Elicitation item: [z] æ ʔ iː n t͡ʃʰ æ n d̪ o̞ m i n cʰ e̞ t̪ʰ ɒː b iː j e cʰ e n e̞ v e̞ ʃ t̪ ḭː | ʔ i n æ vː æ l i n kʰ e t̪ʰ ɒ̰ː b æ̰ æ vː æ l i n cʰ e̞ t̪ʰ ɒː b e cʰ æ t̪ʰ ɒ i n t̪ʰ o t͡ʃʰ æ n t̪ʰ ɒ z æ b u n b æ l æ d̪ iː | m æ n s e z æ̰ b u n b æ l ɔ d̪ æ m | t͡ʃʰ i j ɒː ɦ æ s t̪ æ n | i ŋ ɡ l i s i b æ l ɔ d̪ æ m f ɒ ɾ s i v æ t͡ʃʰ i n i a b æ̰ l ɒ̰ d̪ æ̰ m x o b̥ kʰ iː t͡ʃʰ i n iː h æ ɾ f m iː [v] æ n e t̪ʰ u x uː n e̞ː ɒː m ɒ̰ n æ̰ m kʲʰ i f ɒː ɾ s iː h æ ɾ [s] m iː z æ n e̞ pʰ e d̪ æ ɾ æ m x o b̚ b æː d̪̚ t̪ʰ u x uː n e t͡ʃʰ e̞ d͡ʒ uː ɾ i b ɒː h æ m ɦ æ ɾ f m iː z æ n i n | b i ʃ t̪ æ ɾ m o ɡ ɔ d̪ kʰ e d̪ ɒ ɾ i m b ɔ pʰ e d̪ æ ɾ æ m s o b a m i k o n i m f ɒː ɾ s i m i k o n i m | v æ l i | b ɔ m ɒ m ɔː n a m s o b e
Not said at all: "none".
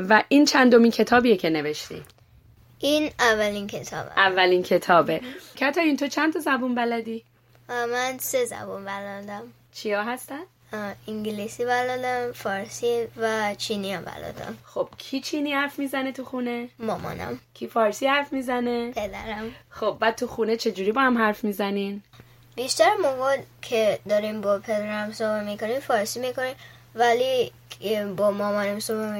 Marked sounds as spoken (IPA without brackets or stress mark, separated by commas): v, z, f